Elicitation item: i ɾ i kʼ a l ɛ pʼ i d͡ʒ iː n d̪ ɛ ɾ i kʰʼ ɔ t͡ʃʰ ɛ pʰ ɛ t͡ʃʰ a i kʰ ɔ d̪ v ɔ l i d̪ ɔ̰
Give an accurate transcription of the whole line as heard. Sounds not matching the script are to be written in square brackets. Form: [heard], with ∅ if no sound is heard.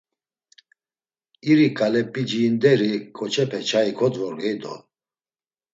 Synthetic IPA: i ɾ i kʼ a l ɛ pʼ i d͡ʒ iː n d̪ ɛ ɾ i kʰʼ ɔ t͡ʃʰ ɛ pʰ ɛ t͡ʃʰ a i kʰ ɔ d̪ v ɔ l [ɛ] d̪ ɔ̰